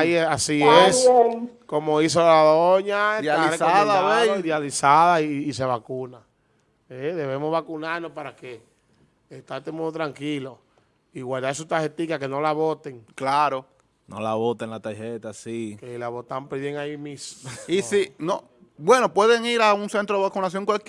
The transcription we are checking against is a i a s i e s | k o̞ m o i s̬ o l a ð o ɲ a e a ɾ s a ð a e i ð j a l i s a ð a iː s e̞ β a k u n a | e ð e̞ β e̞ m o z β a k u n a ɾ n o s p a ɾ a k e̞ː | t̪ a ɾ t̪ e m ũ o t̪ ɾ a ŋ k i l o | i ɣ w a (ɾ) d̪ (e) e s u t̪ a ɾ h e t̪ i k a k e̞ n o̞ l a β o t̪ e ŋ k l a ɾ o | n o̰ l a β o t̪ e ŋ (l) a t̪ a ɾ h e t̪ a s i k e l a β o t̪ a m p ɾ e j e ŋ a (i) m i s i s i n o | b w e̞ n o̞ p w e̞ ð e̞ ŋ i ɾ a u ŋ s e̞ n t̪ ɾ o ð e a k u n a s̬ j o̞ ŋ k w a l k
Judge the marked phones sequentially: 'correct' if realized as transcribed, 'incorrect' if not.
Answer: incorrect: l, incorrect: a, correct, correct

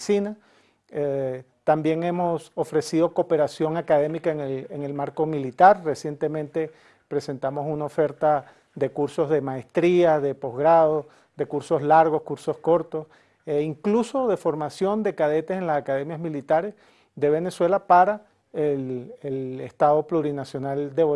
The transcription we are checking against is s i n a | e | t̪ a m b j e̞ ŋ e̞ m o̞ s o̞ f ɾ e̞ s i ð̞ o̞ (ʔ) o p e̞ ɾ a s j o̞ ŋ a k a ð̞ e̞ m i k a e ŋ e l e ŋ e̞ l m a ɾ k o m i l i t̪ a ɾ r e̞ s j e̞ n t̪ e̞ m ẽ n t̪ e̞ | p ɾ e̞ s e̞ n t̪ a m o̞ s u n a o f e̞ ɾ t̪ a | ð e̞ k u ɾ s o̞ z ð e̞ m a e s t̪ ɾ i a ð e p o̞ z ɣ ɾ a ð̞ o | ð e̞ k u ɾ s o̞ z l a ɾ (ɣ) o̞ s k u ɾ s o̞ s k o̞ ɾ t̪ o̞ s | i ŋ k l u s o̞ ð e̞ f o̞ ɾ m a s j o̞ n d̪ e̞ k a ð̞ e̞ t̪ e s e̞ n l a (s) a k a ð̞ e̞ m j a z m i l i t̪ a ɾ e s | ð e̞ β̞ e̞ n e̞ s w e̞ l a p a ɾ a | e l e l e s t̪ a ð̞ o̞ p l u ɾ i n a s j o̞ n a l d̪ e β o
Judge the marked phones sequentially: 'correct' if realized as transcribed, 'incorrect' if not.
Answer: incorrect: k, correct, correct

